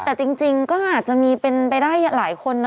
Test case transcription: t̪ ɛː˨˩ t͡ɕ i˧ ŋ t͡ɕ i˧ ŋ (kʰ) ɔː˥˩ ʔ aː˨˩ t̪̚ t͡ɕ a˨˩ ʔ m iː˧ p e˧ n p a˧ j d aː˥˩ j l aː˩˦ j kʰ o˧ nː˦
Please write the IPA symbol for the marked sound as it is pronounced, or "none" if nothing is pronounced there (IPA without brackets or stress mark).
k